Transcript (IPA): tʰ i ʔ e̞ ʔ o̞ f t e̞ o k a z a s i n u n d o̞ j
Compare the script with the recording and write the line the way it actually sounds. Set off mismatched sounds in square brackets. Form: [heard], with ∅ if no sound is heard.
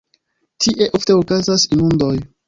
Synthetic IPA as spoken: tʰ i ʔ e̞ ʔ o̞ f t e̞ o k a z a s i n u n d o̞ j

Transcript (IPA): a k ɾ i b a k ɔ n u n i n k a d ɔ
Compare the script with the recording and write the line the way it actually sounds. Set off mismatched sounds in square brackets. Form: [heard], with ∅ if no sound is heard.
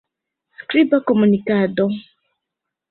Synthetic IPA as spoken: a k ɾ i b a k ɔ [m] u n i [∅] k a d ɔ

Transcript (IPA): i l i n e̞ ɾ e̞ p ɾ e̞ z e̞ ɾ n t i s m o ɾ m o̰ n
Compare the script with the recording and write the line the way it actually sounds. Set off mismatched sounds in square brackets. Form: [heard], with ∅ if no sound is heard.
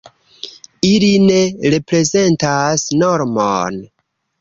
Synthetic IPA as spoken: i l i n e̞ ɾ e̞ p ɾ e̞ z e̞ [∅] n t [a] s [n] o ɾ m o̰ n

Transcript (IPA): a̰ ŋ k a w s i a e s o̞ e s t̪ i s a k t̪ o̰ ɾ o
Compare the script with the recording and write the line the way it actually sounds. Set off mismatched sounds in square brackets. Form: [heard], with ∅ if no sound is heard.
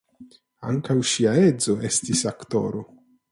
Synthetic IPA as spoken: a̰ ŋ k a w [ʃ] i a e [z] o̞ e s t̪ i s a k t̪ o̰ ɾ o

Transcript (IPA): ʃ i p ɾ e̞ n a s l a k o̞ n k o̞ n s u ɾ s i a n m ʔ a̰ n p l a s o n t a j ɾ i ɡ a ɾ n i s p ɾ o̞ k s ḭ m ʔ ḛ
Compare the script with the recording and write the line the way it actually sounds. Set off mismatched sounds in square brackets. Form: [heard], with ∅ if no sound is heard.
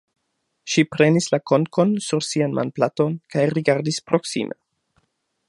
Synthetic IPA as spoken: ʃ i p ɾ e̞ n [i] s l a k o̞ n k o̞ n s u ɾ s i a n m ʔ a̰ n p l a [t] o n [k] a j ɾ i ɡ a ɾ [d] i s p ɾ o̞ k s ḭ m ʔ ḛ

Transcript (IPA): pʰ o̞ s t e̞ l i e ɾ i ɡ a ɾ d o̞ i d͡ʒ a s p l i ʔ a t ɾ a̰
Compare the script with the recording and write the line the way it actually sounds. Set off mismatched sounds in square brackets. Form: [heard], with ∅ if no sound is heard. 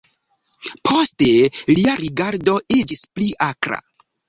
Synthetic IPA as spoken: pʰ o̞ s t e̞ l i [a] ɾ i ɡ a ɾ d o̞ i d͡ʒ [i] s p l i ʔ a [k] ɾ a̰

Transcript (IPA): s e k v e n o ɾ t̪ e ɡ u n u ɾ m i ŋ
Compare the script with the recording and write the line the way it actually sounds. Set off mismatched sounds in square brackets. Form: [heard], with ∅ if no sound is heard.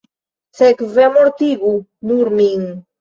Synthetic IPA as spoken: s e k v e [m] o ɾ t̪ [i] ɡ u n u ɾ m i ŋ

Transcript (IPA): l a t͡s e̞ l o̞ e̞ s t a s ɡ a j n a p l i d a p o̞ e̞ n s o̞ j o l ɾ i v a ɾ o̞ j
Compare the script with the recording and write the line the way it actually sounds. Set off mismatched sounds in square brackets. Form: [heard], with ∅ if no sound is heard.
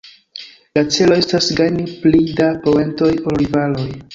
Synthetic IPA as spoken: l a t͡s e̞ l o̞ e̞ s t a s ɡ a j n [i] p l i d a p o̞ e̞ n [t] o̞ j o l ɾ i v a [l] o̞ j

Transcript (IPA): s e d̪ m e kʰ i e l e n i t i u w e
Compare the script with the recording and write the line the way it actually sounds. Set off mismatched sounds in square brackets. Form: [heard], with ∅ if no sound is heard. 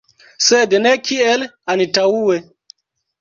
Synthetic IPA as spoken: s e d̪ [n] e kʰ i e l [a] n i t [a] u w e

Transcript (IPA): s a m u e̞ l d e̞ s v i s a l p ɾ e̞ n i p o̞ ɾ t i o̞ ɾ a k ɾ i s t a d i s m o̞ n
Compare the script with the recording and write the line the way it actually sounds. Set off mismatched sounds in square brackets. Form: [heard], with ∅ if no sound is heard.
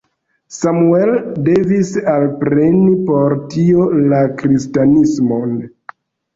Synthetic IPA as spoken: s a m u e̞ l d e̞ [∅] v i s a l p ɾ e̞ n i p o̞ ɾ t i o̞ [l] a k ɾ i s t a [n] i s m o̞ n

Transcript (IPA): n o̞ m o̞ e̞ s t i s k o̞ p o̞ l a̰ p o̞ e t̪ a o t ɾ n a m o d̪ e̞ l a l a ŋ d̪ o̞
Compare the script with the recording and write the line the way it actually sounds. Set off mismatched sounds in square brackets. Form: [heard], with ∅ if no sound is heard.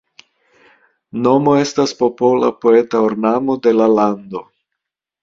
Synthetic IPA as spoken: n o̞ m o̞ e̞ s t [a] s [p] o̞ p o̞ l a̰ p o̞ e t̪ a o [∅] ɾ n a m o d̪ e̞ l a l a [n] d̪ o̞

